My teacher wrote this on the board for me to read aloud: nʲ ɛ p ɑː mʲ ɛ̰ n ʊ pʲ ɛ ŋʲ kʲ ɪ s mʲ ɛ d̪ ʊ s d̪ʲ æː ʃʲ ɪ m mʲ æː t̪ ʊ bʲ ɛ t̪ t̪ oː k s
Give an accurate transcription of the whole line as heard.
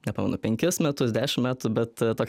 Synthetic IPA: nʲ ɛ p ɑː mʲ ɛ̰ n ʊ pʲ ɛ ŋʲ kʲ ɪ s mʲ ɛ t̪ ʊ s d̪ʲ æː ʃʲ ɪ m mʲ æː t̪ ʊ bʲ ɛ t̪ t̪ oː k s